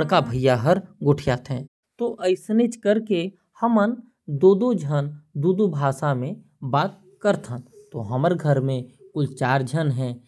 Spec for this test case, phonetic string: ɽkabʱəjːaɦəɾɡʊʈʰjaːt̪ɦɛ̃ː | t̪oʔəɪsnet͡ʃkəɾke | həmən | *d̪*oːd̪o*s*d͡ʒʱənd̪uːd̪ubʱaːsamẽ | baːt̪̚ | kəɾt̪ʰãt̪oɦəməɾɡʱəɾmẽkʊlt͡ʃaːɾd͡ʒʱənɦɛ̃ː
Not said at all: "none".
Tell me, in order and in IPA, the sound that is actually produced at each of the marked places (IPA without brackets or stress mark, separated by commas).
d̪, none